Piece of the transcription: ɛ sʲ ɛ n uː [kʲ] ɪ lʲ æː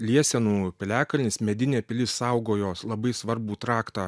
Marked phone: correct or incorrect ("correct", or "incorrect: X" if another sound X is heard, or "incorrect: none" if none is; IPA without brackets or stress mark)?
incorrect: pʲ